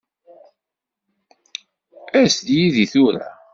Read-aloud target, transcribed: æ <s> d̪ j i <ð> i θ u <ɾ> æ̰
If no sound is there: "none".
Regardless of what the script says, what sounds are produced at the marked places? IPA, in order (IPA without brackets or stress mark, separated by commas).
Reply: s, ð, ɾ